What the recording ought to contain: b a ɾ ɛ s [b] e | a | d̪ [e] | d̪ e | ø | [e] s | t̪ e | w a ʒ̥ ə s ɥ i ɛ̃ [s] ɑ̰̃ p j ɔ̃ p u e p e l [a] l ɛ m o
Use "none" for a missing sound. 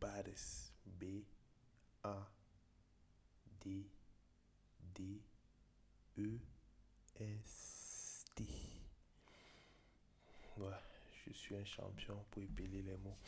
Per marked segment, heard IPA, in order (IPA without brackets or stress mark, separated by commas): b, e, ɛ, ʃ, e